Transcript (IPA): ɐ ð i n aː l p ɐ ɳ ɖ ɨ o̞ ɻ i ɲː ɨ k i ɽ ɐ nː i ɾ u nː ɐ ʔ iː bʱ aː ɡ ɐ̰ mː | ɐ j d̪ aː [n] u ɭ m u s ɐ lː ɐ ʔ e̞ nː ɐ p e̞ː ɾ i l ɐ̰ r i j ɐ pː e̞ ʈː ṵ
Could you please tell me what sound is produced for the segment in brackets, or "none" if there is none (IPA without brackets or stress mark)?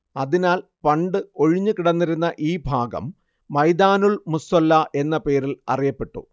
n